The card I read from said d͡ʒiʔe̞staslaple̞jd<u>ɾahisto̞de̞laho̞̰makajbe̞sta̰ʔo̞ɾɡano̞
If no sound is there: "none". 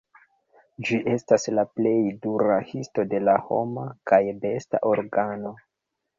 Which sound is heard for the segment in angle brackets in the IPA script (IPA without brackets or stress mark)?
u